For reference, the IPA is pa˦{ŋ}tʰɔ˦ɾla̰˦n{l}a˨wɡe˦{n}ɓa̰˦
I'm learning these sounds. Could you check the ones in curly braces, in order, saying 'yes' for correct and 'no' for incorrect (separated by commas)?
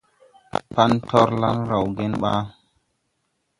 no, no, yes